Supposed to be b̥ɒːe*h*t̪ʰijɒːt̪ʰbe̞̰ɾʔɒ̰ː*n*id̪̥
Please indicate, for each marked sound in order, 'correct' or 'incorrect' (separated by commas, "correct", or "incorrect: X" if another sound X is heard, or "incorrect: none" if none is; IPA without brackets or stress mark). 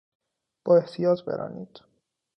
correct, correct